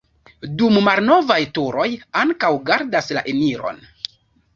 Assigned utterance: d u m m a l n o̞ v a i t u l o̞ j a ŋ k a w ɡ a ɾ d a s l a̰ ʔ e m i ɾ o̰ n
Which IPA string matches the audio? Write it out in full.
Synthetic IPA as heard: d u m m a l n o̞ v a j t u ɾ o̞ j a ŋ k a w ɡ a ɾ d a s l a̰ ʔ e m i ɾ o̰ n